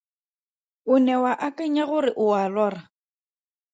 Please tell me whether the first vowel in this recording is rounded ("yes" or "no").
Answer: yes